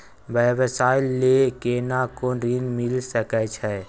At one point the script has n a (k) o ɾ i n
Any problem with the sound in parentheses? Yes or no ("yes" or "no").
no